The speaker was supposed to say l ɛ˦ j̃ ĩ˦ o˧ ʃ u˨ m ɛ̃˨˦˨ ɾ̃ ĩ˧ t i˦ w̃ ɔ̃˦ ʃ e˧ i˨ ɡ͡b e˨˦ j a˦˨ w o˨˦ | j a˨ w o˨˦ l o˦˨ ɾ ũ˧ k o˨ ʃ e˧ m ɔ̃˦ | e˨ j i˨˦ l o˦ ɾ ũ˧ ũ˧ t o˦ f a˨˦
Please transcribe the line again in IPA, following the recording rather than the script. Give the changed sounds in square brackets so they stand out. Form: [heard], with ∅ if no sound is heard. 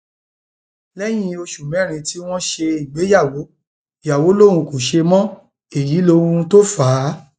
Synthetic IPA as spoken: l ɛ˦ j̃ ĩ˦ o˧ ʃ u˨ m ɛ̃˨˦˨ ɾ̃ ĩ˧ t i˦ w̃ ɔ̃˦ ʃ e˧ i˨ ɡ͡b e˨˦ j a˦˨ w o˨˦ | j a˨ w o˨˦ l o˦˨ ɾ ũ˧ k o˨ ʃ e˧ m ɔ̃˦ | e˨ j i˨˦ l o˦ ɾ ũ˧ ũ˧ t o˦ f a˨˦